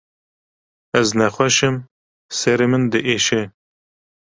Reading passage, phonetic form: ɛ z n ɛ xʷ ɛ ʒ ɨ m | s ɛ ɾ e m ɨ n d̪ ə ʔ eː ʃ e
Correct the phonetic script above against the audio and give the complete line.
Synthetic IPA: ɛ z n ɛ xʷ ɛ ʃ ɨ m | s ɛ ɾ e m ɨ n d̪ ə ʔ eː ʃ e